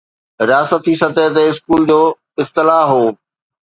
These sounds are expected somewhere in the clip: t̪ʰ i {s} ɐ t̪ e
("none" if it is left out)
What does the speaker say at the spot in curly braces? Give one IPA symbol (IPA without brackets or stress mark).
s